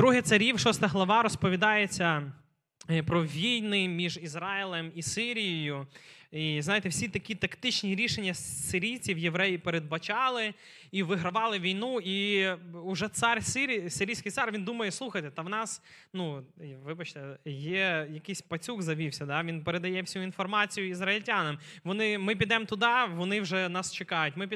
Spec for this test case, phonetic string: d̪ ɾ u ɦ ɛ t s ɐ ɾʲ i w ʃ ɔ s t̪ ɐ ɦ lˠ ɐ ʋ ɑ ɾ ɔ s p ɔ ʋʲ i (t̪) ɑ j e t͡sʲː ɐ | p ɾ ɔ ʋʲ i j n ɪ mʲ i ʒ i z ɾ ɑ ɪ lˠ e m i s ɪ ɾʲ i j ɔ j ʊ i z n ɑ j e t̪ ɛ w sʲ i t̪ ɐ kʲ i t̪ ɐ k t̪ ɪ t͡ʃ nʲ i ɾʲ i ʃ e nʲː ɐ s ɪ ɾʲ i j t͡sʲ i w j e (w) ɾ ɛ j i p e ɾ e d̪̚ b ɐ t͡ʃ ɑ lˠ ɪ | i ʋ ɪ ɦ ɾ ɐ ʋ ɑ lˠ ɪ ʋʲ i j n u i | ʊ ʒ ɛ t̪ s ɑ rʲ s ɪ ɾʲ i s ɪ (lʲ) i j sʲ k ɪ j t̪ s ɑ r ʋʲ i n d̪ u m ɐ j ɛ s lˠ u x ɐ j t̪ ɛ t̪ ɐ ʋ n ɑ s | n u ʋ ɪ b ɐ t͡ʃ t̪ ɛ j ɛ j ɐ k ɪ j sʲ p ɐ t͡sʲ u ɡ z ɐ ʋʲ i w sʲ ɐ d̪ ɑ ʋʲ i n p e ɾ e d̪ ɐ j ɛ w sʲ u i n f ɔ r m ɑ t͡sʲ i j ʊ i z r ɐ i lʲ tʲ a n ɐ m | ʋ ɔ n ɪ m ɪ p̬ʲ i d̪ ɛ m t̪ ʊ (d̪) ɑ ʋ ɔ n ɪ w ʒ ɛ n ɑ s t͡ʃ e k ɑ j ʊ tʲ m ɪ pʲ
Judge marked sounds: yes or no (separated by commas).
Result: no, no, no, yes